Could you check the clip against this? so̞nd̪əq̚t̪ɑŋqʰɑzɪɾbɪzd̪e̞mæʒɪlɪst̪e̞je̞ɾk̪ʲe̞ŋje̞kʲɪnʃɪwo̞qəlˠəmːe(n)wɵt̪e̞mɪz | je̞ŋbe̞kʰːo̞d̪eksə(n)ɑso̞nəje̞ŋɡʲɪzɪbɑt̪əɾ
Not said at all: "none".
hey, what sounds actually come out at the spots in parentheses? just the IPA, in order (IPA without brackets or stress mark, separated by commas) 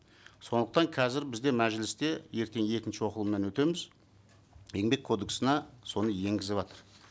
n, n